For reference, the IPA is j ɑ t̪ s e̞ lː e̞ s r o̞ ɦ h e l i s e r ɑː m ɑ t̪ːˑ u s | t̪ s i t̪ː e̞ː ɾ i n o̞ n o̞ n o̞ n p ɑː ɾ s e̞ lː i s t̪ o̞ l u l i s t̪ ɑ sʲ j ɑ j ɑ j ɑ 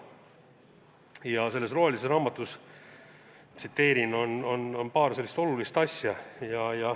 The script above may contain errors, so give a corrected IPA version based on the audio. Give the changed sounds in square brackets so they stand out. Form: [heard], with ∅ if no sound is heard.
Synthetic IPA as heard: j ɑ [∅] s e̞ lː e̞ s r o̞ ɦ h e l i s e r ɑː m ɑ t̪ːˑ u s | t̪ s i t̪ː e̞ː ɾ i n o̞ n o̞ n o̞ n p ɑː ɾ s e̞ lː i s t̪ o̞ l u l i s t̪ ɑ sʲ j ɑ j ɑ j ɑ